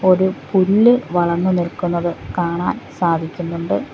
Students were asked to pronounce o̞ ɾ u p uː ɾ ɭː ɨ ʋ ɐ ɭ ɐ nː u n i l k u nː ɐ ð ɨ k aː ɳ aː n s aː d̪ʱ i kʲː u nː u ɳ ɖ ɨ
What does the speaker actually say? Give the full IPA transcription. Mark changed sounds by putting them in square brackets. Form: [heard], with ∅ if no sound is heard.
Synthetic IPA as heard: o̞ ɾ u p [u] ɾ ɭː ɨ ʋ ɐ ɭ ɐ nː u n i l k u nː ɐ ð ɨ k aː ɳ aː n s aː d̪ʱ i kʲː u nː u ɳ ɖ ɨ